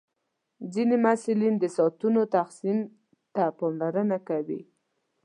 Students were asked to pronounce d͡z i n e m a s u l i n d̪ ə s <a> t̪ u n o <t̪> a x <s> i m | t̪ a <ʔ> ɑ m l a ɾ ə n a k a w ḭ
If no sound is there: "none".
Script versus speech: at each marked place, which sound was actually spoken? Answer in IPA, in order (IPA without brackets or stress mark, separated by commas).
ɑ, t̪, s, p